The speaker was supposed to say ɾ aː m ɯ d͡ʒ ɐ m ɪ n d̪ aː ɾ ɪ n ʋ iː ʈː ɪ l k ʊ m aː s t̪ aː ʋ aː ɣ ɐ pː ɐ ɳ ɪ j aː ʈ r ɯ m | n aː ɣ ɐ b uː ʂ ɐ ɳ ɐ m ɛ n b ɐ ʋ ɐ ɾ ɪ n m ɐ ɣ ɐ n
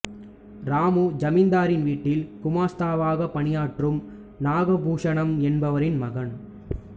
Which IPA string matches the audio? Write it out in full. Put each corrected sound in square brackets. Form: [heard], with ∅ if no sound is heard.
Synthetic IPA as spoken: ɾ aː m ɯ d͡ʒ ɐ m ɪ n d̪ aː ɾ ɪ n ʋ iː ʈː ɪ l k ʊ m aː s t̪ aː ʋ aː ɣ ɐ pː ɐ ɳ ɪ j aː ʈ r ɯ m | n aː ɣ ɐ b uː ʂ ɐ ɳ ɐ m ɛ n b ɐ ʋ ɐ ɾ ɪ n m ɐ ɣ ɐ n